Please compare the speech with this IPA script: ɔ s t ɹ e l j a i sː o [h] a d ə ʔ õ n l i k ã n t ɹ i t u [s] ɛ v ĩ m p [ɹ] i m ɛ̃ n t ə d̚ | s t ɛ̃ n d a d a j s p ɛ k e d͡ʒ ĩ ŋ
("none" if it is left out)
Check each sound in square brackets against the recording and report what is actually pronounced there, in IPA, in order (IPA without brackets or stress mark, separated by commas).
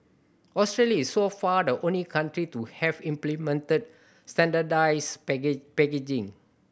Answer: f, h, l